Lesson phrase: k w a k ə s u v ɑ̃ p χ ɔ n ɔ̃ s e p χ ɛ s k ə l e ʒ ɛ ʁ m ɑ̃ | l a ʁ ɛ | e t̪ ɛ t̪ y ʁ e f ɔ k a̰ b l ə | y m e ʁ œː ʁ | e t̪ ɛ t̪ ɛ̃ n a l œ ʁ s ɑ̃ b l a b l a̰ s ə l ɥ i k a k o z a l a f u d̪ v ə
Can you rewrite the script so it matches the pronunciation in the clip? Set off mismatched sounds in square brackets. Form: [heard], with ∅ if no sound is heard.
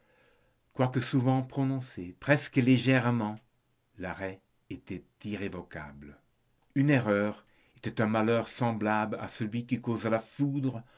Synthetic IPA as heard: k w a k ə s u v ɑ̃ p χ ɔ n ɔ̃ s e p χ ɛ s k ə l e ʒ ɛ ʁ m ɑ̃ | l a ʁ ɛ | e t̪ ɛ t̪ [i] ʁ e [v] ɔ k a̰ b l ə | y [n] e ʁ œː ʁ | e t̪ ɛ t̪ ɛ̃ [m] a l œ ʁ s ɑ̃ b l a b l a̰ s ə l ɥ i k [i] k o z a l a f u d̪ [ʁ] ə

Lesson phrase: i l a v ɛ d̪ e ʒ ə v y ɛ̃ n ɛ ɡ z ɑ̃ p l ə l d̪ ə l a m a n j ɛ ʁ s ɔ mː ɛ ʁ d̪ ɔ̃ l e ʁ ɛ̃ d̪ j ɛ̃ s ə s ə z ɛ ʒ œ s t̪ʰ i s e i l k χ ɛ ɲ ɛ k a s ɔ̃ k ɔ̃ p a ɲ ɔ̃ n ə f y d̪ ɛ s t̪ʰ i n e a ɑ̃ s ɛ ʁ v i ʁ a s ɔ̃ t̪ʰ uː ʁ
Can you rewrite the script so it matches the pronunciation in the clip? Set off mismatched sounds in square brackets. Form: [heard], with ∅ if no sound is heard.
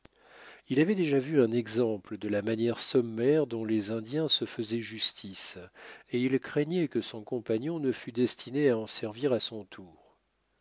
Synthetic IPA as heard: i l a v ɛ d̪ e ʒ [a] v y ɛ̃ n ɛ ɡ z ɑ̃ p l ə [∅] d̪ ə l a m a n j ɛ ʁ s ɔ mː ɛ ʁ d̪ ɔ̃ l e [z] ɛ̃ d̪ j ɛ̃ s ə [f] ə z ɛ ʒ [y] s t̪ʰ i s e i l k χ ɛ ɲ ɛ k [ə] s ɔ̃ k ɔ̃ p a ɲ ɔ̃ n ə f y d̪ ɛ s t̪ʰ i n e a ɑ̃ s ɛ ʁ v i ʁ a s ɔ̃ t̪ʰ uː ʁ

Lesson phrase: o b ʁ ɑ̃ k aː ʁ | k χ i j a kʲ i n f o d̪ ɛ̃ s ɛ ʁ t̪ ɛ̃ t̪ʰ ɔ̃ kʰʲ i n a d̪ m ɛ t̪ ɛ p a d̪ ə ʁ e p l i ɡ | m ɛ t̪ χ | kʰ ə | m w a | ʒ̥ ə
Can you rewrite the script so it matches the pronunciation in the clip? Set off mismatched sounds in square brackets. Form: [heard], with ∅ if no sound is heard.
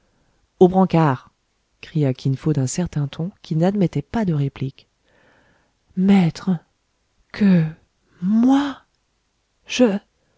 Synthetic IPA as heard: o b ʁ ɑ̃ k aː ʁ | k χ i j a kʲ i n f o d̪ ɛ̃ s ɛ ʁ t̪ ɛ̃ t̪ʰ ɔ̃ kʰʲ i n a d̪ m ɛ t̪ ɛ p a d̪ ə ʁ e p l i [k] | m ɛ t̪ χ | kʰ ə | m w a | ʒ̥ ə

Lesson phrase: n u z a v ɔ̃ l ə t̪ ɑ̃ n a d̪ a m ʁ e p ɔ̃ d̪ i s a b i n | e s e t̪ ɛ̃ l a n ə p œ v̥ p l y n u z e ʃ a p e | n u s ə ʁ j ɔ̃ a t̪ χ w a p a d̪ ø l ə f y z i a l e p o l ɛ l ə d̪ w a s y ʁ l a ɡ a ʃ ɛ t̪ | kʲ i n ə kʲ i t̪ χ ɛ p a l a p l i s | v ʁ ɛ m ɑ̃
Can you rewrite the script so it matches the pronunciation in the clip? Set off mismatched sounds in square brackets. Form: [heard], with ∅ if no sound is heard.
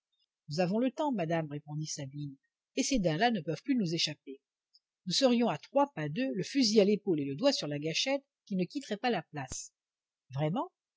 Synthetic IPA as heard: n u z a v ɔ̃ l ə t̪ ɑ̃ [m] a d̪ a m ʁ e p ɔ̃ d̪ i s a b i n | e s e [d̪] ɛ̃ l a n ə p œ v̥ p l y n u z e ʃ a p e | n u s ə ʁ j ɔ̃ a t̪ χ w a p a d̪ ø l ə f y z i a l e p o l [e] l ə d̪ w a s y ʁ l a ɡ a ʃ ɛ t̪ | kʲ i n ə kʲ i t̪ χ ɛ p a l a p l [a] s | v ʁ ɛ m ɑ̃

